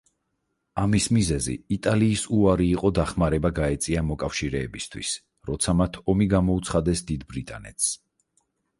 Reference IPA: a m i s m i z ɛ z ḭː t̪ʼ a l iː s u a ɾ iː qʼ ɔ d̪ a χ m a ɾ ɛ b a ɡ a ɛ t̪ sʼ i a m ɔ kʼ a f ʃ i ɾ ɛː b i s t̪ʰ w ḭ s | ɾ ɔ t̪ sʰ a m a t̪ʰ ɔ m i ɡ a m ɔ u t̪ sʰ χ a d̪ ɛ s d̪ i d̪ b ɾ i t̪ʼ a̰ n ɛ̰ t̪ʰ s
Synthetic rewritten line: a m i s m i z ɛ z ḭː t̪ʼ a l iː s u a ɾ iː qʼ ɔ d̪ a χ m a ɾ ɛ b a ɡ a ɛ t̪ sʼ i a m ɔ kʼ a f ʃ i ɾ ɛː b i s t̪ʰ w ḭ s | ɾ ɔ t̪ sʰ a m a t̪ʰ ɔ m i ɡ a m ɔ u t̪ sʰ χ a d̪ ɛ s d̪ i d̪ b ɾ i t̪ʼ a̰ n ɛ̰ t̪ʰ s